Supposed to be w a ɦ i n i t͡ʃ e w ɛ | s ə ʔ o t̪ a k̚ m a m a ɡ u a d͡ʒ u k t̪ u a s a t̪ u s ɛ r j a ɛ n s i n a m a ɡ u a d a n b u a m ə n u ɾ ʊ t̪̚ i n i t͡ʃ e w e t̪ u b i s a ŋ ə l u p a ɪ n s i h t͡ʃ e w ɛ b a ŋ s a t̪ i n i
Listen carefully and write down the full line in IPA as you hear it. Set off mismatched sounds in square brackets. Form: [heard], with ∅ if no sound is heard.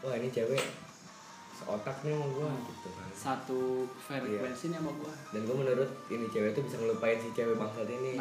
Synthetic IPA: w a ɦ i n i t͡ʃ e w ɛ | s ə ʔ o t̪ a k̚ [ɲ] a m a ɡ u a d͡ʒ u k t̪ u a s a t̪ u [f] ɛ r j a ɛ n s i n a m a ɡ u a d a n [ɡ] u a m ə n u ɾ ʊ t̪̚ i n i t͡ʃ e w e t̪ u b i s a ŋ ə l u p a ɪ n s i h t͡ʃ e w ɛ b a ŋ s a t̪ i n i